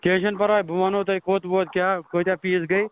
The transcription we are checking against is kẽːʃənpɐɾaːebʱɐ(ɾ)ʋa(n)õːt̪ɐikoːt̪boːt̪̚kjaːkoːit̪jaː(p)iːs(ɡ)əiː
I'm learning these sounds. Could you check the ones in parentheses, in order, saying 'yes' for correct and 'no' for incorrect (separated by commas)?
no, yes, yes, yes